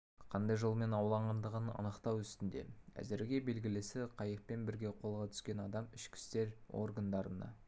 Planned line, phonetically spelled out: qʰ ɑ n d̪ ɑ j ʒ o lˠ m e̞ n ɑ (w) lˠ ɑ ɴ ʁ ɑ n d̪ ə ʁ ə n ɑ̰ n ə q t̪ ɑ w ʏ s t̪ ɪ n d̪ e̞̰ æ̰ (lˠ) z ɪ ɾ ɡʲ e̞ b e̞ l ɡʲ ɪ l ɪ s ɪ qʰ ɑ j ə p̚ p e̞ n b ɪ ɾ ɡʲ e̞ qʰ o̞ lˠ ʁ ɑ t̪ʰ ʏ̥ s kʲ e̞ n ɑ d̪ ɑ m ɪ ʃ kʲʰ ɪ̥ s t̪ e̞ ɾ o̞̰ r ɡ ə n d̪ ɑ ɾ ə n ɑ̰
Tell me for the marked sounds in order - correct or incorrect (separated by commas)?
correct, incorrect